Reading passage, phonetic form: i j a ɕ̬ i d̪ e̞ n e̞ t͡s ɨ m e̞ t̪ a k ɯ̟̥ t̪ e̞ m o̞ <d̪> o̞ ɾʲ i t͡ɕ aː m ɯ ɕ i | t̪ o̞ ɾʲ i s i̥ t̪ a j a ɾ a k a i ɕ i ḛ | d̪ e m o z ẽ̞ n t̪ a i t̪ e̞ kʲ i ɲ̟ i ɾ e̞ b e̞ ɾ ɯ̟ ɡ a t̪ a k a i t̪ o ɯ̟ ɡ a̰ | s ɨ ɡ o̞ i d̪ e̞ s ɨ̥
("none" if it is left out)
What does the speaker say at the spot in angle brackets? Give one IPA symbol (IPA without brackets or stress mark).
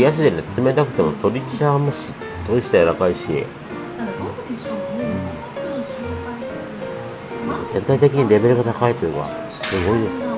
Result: t̪